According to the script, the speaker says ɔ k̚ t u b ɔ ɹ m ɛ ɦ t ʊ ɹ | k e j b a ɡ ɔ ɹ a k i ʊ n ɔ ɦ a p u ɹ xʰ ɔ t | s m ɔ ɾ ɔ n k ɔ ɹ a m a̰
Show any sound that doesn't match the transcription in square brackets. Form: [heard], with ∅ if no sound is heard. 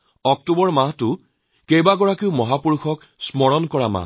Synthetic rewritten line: ɔ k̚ t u b ɔ ɹ m [a] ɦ t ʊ [∅] | k e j b a ɡ ɔ ɹ a k i ʊ [m] ɔ ɦ a p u ɹ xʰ ɔ [k] | s m ɔ [ɹ] ɔ n k ɔ ɹ a m a̰